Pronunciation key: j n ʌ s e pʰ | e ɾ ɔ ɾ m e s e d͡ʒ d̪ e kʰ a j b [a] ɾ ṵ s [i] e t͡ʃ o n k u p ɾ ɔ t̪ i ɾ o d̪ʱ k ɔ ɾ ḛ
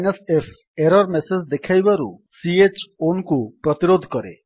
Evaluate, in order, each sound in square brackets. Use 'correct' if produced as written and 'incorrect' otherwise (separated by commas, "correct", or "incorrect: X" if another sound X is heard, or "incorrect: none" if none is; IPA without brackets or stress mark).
correct, correct